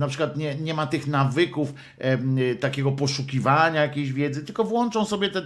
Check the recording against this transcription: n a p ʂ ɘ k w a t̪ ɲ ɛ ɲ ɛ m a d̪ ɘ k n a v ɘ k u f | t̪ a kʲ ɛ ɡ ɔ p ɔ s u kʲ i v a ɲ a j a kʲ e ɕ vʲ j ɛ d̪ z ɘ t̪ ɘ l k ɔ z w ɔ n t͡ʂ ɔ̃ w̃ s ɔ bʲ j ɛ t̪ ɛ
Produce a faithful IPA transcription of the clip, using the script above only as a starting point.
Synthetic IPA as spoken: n a p ʂ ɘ k w a t̪ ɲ ɛ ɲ ɛ m a t̪ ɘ x n a v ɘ k u f | t̪ a kʲ ɛ ɡ ɔ p ɔ ʂ u kʲ i v a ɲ a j a kʲ e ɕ vʲ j ɛ d̪ z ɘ t̪ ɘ l k ɔ v w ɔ n t͡ʂ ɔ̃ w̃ s ɔ bʲ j ɛ t̪ ɛ